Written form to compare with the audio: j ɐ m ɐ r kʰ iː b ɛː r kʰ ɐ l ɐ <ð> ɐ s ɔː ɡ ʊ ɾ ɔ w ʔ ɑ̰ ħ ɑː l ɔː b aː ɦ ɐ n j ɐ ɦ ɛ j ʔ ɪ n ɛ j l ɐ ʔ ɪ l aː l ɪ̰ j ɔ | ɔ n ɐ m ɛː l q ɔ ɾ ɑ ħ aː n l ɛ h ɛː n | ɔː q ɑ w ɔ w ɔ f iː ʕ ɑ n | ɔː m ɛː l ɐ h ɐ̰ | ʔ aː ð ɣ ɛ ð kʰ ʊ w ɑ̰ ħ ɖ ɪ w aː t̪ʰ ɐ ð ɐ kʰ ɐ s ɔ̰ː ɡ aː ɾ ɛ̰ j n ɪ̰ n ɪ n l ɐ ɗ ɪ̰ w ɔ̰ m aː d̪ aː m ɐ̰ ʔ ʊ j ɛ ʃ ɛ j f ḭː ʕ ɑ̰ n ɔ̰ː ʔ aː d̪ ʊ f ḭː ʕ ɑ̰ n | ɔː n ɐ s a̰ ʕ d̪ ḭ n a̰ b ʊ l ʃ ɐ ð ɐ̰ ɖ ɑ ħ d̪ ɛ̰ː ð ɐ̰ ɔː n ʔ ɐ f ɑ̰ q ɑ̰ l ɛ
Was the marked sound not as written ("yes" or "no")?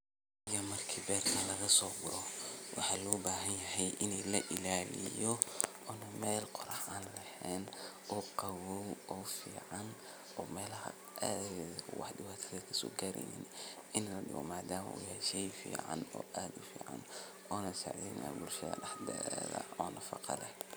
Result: yes